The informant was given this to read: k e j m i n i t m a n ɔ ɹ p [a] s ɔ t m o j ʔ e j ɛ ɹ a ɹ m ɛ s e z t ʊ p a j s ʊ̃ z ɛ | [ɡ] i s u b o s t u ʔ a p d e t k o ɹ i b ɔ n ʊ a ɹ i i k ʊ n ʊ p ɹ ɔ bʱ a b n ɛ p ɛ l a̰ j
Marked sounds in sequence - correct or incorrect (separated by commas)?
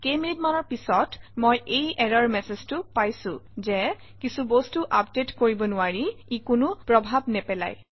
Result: incorrect, incorrect